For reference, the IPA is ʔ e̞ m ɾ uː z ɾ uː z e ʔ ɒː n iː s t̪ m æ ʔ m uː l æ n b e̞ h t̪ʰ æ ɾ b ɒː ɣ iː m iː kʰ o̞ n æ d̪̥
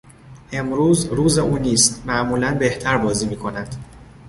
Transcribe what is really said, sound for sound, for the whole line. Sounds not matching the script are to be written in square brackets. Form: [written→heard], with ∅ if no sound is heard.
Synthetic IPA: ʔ e̞ m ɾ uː z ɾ uː z e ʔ [ɒː→uː] n iː s t̪ m æ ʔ m uː l æ n b e̞ h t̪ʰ æ ɾ b ɒː [ɣ→z] iː m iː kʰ o̞ n æ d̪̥

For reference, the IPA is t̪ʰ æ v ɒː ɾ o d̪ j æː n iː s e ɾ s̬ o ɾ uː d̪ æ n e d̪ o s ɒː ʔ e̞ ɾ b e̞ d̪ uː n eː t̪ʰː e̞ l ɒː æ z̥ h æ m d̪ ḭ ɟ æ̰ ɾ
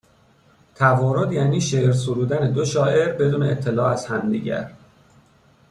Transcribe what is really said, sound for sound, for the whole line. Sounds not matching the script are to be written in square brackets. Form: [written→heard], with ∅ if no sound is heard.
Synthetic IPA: t̪ʰ æ v ɒː ɾ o d̪ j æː n iː [s→ʃ] e ɾ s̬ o ɾ uː d̪ æ n e d̪ o [s→ʃ] ɒː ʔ e̞ ɾ b e̞ d̪ uː n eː t̪ʰː e̞ l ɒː æ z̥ h æ m d̪ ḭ ɟ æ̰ ɾ

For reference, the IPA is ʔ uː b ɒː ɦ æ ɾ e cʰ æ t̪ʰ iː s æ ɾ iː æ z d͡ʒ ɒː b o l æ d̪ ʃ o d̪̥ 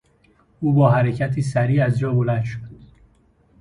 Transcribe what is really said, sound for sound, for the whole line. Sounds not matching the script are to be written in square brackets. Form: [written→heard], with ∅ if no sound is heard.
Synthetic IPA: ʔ uː b ɒː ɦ æ ɾ e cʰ æ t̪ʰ iː s æ ɾ iː æ z d͡ʒ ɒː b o l æ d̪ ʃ o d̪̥

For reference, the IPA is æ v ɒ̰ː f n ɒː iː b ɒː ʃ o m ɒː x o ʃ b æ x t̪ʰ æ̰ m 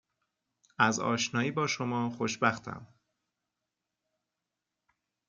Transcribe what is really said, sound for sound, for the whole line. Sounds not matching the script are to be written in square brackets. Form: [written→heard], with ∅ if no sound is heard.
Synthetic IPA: æ [v→z] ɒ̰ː [f→ʃ] n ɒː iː b ɒː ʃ o m ɒː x o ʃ b æ x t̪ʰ æ̰ m

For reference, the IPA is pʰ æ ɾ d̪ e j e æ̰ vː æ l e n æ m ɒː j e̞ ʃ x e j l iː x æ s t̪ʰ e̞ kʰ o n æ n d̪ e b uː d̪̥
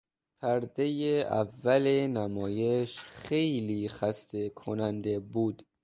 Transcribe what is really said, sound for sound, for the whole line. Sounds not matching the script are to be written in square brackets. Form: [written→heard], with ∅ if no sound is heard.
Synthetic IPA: pʰ æ ɾ d̪ e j e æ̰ vː æ l e n æ m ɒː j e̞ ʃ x e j l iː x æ s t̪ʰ e̞ kʰ o n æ n d̪ e b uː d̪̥

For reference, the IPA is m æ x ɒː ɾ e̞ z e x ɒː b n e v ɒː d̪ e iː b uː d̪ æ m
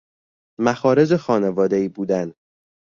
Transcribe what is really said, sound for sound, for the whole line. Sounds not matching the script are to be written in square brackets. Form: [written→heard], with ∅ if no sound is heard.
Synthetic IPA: m æ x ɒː ɾ e̞ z e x ɒː [b→∅] n e v ɒː d̪ e iː b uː d̪ æ [m→n]

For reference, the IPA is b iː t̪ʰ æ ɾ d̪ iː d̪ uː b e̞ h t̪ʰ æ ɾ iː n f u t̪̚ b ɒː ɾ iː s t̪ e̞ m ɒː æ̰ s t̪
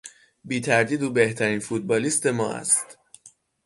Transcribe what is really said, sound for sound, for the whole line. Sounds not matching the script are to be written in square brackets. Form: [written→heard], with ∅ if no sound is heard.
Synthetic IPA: b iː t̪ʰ æ ɾ d̪ iː d̪ uː b e̞ h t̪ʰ æ ɾ iː n f u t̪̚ b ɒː [ɾ→l] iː s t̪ e̞ m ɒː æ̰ s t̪

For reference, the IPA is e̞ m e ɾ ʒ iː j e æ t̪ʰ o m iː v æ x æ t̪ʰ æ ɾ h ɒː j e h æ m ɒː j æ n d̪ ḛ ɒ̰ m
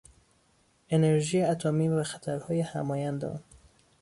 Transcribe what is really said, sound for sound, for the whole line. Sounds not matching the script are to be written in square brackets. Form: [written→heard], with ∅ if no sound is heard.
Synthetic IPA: e̞ [m→n] e ɾ ʒ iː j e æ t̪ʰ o m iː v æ x æ t̪ʰ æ ɾ h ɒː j e h æ m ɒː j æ n d̪ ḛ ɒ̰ [m→n]

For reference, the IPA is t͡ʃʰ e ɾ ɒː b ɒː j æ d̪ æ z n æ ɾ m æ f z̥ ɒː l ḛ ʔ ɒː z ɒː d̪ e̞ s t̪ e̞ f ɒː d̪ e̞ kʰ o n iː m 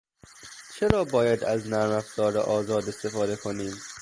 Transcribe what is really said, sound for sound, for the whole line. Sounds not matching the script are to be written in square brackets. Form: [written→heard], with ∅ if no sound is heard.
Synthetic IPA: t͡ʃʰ e ɾ ɒː b ɒː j æ d̪ æ z n æ ɾ m æ f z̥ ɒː [l→ɾ] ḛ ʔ ɒː z ɒː d̪ e̞ s t̪ e̞ f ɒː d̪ e̞ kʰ o n iː m

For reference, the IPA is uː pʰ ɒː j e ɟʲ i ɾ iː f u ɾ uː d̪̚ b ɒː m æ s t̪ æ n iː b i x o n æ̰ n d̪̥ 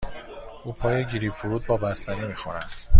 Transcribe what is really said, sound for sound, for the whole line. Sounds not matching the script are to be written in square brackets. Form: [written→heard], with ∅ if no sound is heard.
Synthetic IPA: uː pʰ ɒː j e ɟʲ i ɾ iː f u ɾ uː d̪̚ b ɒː [m→b] æ s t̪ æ n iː [b→m] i x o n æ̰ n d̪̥

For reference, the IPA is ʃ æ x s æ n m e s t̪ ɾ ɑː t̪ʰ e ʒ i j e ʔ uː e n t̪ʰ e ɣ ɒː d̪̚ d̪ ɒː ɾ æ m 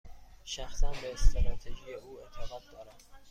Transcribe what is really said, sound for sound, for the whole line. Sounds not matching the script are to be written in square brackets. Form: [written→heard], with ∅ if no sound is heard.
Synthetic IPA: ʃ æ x s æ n [m→b] e s t̪ ɾ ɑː t̪ʰ e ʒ i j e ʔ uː e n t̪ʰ e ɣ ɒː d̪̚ d̪ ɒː ɾ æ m

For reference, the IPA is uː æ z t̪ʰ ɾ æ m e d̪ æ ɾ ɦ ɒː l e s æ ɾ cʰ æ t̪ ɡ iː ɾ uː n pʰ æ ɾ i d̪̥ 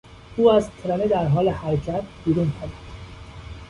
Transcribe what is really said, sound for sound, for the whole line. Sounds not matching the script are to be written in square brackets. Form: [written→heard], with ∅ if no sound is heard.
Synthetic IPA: uː æ z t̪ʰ ɾ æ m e d̪ æ ɾ ɦ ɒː l e [s→h] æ ɾ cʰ æ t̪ [ɡ→b] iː ɾ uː n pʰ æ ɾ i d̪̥

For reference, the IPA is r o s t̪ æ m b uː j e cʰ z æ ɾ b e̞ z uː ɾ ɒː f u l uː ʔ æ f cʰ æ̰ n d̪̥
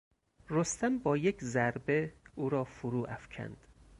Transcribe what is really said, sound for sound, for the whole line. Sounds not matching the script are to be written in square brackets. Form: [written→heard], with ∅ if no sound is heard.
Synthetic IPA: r o s t̪ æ m b [uː→ɒː] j e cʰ z æ ɾ b e̞ [z→∅] uː ɾ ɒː f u [l→ɾ] uː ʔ æ f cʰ æ̰ n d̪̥

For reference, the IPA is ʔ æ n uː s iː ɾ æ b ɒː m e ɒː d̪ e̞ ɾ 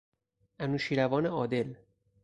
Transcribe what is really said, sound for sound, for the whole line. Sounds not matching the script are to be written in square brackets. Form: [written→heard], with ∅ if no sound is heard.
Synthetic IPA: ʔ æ n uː [s→ʃ] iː ɾ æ [b→v] ɒː [m→n] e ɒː d̪ e̞ [ɾ→l]

